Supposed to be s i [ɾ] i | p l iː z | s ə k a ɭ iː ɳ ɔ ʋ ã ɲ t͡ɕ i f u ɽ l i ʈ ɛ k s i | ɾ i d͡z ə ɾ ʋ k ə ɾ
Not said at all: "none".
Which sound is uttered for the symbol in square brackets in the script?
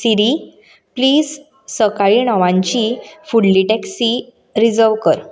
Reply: ɾ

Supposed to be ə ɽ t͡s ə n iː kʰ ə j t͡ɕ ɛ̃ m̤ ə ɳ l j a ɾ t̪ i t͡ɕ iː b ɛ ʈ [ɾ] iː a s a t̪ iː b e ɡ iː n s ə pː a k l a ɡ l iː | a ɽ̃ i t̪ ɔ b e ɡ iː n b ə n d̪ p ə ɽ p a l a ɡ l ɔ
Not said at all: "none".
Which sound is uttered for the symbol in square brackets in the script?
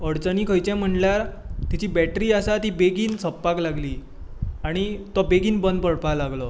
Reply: ɾ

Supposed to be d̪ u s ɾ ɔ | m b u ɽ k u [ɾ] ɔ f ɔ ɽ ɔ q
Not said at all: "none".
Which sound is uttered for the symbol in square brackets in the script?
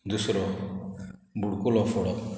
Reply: l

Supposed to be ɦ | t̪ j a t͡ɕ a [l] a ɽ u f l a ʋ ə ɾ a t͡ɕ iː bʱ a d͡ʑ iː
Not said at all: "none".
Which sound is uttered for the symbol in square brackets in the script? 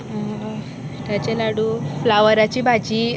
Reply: l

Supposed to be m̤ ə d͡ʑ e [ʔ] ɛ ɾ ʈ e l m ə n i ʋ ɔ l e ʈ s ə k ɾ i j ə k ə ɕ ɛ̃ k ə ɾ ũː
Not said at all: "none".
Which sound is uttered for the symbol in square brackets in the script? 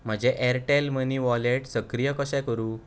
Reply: ʔ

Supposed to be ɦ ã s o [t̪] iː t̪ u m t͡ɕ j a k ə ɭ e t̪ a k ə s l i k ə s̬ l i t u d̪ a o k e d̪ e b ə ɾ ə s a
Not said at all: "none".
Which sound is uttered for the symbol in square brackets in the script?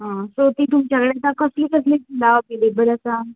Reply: t̪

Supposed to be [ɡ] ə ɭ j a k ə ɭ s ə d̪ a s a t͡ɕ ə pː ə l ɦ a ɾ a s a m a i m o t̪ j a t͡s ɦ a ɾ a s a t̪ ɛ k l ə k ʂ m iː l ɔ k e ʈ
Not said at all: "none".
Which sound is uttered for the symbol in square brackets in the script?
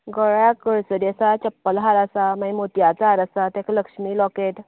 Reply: ɡ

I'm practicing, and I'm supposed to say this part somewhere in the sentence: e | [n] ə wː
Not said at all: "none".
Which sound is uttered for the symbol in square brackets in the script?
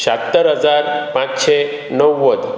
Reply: n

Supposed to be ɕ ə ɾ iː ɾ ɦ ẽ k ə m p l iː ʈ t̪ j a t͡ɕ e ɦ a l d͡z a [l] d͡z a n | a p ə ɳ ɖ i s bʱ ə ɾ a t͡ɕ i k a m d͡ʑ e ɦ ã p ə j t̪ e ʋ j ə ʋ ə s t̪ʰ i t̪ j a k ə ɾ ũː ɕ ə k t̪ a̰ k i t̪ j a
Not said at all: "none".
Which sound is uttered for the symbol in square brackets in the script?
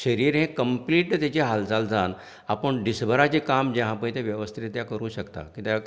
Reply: l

